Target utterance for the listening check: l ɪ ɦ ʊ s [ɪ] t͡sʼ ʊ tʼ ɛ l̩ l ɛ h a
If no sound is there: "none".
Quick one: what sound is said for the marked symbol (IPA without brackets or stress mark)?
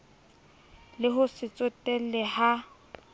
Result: ɪ